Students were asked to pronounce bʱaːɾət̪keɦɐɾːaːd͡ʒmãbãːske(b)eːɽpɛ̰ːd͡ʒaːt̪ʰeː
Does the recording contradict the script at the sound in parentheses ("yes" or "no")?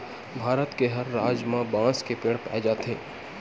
yes